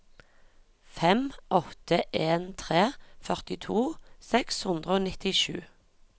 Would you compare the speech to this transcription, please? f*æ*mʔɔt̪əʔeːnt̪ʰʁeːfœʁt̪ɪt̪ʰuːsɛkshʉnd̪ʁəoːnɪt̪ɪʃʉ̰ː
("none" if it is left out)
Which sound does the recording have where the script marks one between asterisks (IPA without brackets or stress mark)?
ɛ